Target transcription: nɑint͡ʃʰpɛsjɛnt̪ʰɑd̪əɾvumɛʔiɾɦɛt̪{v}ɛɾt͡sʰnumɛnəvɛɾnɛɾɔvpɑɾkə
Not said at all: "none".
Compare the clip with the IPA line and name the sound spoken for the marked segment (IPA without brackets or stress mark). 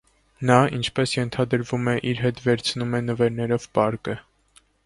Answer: v